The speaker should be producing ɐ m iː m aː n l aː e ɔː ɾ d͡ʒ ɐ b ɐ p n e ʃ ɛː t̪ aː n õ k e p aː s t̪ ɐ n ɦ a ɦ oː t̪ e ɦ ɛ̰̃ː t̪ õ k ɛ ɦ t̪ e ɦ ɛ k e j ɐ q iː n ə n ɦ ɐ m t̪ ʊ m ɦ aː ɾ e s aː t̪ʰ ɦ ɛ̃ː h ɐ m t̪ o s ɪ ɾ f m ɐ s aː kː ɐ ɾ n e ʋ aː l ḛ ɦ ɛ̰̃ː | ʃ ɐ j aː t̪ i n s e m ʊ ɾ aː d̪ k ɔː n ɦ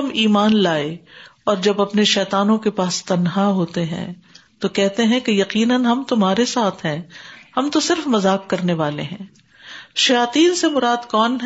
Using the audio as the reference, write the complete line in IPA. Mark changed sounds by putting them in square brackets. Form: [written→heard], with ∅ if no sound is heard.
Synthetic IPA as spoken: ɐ m iː m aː n l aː e ɔː ɾ d͡ʒ ɐ b ɐ p n e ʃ ɛː t̪ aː n õ k e p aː s t̪ ɐ n ɦ a ɦ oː t̪ e ɦ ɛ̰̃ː t̪ [õ→o] k ɛ ɦ t̪ e ɦ [ɛ→ɛ̃] k e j ɐ q iː n ə n ɦ ɐ m t̪ ʊ m ɦ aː ɾ e s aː t̪ʰ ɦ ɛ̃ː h ɐ m t̪ o s ɪ ɾ f m ɐ [s→z] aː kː ɐ ɾ n e ʋ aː l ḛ ɦ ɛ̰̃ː | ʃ ɐ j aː t̪ [i→iː] n s e m ʊ ɾ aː d̪ k ɔː n ɦ